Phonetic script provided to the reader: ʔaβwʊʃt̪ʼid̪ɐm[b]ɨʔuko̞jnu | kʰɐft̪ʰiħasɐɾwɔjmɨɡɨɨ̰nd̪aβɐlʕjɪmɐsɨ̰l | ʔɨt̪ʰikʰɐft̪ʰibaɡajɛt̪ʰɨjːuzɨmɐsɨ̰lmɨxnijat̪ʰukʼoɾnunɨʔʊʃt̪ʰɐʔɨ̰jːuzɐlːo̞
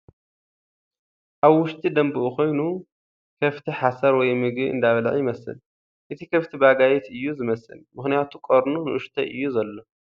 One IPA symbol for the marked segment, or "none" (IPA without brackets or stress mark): b